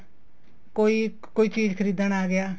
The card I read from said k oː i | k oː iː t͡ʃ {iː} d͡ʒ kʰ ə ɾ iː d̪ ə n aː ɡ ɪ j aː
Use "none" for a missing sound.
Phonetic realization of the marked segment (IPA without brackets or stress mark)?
iː